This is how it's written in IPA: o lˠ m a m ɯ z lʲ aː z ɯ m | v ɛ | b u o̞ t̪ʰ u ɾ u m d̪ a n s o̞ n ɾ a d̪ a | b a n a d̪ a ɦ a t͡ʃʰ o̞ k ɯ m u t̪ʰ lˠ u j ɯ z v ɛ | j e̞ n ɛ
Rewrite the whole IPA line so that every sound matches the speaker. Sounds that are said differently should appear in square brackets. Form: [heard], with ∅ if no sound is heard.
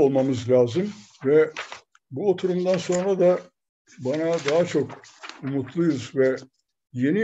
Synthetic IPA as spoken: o lˠ m a m ɯ z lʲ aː z ɯ m | v ɛ | b u o̞ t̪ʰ u ɾ u m d̪ a n s o̞ n ɾ a d̪ a | b a n a d̪ a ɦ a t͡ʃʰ o̞ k [u] m u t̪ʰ lˠ u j [u] z v ɛ | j e̞ n [i]